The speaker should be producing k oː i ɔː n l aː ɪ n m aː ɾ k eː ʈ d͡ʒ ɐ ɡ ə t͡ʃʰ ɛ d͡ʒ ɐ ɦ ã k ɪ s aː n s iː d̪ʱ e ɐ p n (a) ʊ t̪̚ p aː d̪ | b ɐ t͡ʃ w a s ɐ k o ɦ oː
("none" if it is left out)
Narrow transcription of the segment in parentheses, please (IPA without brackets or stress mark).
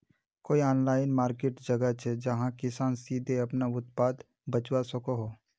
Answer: a